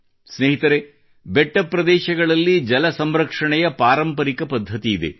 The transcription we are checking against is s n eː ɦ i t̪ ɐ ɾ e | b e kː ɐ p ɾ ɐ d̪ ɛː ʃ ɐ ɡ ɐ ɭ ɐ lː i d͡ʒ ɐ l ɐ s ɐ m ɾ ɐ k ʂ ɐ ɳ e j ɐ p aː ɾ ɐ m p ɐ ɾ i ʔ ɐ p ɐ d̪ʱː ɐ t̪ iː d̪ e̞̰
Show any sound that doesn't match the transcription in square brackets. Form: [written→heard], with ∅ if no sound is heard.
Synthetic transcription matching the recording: s n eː ɦ i t̪ ɐ ɾ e | b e [kː→ʈː] ɐ p ɾ ɐ d̪ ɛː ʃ ɐ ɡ ɐ ɭ ɐ lː i d͡ʒ ɐ l ɐ s ɐ m ɾ ɐ k ʂ ɐ ɳ [e→ɛ] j ɐ p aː ɾ ɐ m p ɐ ɾ i [ʔ→k] ɐ p ɐ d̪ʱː ɐ t̪ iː d̪ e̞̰